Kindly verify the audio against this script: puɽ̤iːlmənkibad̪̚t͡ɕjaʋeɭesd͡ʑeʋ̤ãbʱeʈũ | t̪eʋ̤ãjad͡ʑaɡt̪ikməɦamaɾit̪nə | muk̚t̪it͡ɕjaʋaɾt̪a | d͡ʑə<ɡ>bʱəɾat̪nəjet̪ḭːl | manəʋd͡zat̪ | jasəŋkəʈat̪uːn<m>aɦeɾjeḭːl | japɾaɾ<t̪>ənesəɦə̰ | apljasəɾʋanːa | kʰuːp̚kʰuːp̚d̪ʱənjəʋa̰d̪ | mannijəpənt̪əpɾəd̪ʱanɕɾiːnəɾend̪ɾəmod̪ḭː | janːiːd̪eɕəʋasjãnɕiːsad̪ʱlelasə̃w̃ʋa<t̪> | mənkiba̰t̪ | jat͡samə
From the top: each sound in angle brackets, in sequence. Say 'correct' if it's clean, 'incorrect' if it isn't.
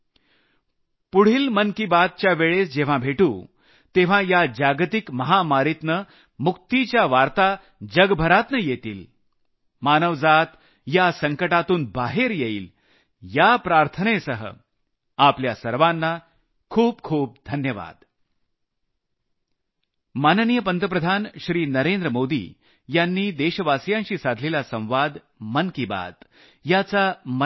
correct, incorrect: b, incorrect: t̪ʰ, incorrect: d̪

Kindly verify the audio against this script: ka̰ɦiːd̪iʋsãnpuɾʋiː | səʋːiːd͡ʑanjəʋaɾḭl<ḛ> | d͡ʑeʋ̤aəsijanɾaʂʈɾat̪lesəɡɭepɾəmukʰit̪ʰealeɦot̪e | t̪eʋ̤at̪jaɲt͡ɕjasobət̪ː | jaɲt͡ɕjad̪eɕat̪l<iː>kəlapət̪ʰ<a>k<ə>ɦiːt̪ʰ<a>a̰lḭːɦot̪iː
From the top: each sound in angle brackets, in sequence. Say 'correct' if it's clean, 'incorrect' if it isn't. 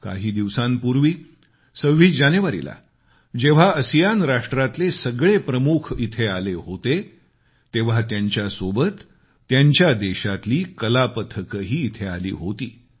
incorrect: a̰, correct, incorrect: ə, correct, incorrect: e

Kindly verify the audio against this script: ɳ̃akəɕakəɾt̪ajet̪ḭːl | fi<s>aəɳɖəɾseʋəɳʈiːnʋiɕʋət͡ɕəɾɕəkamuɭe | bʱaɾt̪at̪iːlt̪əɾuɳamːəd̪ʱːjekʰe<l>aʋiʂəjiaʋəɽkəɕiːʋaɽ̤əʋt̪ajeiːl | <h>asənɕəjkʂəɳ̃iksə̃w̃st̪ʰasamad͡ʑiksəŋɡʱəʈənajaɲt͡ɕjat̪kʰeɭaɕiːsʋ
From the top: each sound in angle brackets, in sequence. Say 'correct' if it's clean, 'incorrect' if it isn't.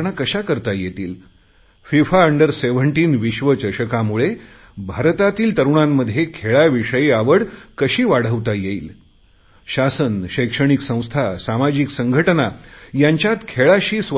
incorrect: f, incorrect: ɭ, incorrect: ɕ

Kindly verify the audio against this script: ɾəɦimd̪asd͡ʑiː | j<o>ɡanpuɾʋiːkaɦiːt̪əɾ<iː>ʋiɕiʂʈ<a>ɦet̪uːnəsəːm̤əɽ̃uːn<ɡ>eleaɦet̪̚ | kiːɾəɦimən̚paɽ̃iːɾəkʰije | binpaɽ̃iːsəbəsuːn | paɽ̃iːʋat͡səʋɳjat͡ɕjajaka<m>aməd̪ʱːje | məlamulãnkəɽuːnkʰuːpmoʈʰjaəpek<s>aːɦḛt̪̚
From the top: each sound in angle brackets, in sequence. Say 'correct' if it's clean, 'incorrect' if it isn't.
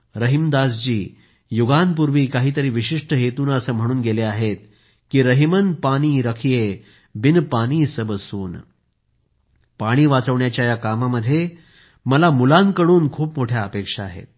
incorrect: u, correct, incorrect: ə, correct, correct, incorrect: ʂ

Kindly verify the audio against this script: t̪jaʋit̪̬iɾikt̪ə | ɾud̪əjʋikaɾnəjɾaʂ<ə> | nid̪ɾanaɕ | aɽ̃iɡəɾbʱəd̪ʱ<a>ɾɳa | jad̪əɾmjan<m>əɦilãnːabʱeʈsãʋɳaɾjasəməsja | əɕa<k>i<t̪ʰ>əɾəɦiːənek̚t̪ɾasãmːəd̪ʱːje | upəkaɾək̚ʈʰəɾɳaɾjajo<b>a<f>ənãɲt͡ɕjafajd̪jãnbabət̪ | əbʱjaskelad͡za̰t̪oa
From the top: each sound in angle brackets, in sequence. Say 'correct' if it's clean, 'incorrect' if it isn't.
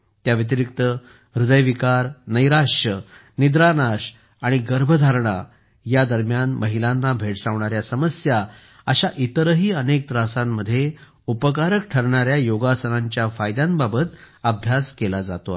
correct, correct, correct, incorrect: ʔ, incorrect: t̪, incorrect: ɡ, incorrect: s

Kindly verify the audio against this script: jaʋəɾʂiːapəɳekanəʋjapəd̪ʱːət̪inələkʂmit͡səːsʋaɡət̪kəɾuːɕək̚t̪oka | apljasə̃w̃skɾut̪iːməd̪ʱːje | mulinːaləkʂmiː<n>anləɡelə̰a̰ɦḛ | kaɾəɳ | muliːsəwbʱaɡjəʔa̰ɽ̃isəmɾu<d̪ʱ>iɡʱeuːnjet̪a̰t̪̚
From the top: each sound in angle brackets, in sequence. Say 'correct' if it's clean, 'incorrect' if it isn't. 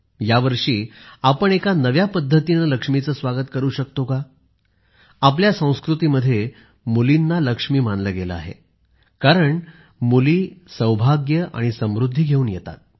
incorrect: m, incorrect: d̪ʱː

